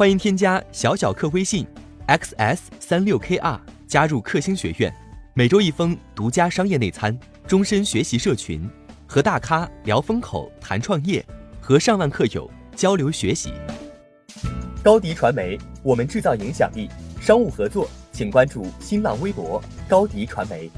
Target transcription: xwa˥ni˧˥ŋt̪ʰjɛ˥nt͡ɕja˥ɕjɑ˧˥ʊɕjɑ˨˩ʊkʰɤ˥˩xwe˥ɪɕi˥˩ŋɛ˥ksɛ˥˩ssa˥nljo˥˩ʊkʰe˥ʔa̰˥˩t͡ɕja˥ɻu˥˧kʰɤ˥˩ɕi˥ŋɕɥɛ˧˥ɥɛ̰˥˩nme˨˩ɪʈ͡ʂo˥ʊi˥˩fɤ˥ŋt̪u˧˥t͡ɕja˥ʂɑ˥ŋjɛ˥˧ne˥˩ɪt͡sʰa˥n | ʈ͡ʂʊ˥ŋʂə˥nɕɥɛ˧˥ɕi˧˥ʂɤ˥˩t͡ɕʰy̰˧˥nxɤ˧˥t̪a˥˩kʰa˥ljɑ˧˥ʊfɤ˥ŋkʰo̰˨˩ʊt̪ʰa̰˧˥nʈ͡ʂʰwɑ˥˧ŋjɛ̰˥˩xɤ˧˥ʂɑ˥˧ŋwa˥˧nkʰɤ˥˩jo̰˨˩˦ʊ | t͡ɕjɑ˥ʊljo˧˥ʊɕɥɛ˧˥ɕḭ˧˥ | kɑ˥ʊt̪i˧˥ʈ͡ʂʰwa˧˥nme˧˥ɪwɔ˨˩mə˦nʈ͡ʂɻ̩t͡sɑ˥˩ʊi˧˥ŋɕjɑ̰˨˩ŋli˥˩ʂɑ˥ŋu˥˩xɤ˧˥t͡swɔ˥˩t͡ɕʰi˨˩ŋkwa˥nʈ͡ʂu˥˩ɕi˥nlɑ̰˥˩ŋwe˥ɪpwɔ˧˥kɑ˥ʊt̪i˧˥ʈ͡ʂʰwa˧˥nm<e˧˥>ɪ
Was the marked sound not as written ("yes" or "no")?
no